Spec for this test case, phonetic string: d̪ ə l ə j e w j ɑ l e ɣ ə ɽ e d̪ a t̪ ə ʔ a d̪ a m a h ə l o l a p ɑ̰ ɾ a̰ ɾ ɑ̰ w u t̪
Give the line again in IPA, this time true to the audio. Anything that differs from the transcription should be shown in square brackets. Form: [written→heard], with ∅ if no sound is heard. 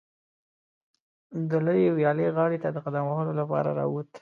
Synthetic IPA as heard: d̪ ə l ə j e w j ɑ l e ɣ [ə→ɑ] ɽ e [d̪→t̪] a [t̪→d̪] ə [ʔ→q] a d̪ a m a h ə l o l a p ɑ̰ ɾ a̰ ɾ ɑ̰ w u t̪